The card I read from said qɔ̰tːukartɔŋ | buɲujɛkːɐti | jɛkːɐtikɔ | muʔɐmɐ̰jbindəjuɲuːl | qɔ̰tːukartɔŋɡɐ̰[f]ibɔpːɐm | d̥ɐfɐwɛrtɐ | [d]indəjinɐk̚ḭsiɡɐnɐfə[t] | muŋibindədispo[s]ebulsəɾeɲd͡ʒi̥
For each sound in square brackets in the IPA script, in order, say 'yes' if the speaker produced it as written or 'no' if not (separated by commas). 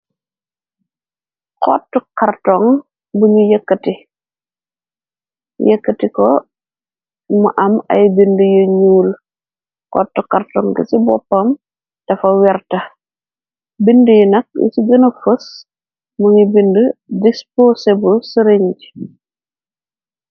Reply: no, no, no, yes